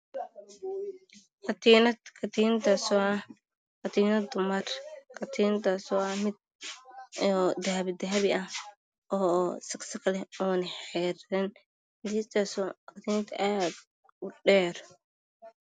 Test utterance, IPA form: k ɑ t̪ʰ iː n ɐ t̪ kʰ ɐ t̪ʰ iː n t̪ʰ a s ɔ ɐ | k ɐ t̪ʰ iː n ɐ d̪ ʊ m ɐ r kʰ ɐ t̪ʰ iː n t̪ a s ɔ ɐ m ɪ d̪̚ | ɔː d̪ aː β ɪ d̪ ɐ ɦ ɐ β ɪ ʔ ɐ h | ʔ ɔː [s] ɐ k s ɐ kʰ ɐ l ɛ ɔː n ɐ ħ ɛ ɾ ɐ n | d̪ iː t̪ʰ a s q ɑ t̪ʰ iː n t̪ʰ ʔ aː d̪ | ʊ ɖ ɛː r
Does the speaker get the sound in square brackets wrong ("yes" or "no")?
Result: no